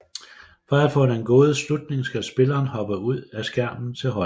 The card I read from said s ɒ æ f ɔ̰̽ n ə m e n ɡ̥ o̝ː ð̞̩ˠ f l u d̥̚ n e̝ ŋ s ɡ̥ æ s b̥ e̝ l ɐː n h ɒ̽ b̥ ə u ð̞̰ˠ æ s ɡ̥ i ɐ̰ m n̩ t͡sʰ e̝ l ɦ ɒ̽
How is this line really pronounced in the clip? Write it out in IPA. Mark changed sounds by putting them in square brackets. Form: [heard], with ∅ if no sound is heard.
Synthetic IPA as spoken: [f] ɒ æ f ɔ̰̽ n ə [∅] e n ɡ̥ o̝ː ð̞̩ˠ [s] l u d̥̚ n e̝ ŋ s ɡ̥ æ s b̥ e̝ l ɐː n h ɒ̽ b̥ ə u ð̞̰ˠ æ s ɡ̥ [æ] ɐ̰ m n̩ t͡sʰ e̝ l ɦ ɒ̽